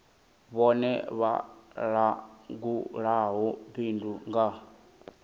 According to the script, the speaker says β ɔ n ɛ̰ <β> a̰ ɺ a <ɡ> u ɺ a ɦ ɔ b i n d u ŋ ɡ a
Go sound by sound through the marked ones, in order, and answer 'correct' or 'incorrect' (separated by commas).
correct, correct